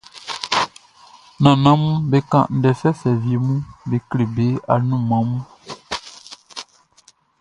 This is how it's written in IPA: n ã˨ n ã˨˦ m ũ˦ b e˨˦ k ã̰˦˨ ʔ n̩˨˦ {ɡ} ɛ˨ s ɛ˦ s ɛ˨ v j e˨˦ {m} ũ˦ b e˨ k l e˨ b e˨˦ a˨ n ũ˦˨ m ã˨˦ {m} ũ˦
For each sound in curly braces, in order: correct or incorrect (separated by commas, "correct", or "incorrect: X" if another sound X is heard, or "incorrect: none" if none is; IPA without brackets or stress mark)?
incorrect: d, correct, correct